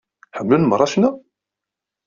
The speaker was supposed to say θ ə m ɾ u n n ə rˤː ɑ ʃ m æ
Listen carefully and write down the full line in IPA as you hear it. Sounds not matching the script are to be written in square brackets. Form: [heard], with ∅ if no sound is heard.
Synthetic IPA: [ħ] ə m [l] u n [m] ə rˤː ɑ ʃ [n] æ